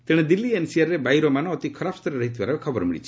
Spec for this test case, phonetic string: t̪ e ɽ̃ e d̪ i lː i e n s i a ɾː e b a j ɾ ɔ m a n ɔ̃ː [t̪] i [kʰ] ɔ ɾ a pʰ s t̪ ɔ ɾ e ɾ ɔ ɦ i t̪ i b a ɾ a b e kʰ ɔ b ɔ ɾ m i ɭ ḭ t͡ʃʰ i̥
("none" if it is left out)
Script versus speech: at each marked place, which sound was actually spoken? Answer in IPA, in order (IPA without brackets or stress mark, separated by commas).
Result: t̪, kʰ